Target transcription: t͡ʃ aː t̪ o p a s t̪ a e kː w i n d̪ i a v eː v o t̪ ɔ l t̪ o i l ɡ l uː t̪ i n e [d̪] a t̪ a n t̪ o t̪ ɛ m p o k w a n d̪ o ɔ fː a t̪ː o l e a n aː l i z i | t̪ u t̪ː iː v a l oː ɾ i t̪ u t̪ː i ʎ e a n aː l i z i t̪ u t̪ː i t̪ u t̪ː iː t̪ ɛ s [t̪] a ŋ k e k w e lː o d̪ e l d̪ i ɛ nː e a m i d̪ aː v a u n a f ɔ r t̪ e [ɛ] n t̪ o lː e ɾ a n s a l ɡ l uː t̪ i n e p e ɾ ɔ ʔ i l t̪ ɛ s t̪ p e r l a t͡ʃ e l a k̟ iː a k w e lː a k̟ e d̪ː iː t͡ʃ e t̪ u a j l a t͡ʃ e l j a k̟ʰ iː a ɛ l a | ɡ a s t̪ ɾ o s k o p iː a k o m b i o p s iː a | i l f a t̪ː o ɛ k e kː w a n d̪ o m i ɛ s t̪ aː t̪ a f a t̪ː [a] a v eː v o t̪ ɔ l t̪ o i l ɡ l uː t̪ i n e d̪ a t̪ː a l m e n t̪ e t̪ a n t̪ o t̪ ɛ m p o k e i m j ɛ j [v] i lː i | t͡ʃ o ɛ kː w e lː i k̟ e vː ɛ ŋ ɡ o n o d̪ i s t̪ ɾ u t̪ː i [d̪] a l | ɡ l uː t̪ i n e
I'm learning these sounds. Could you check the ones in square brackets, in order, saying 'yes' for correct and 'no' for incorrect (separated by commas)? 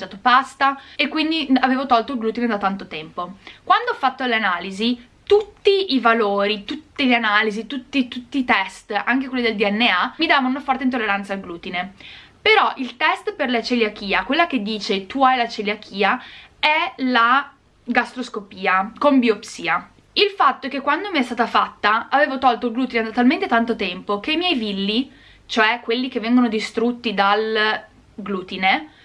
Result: yes, yes, no, yes, yes, yes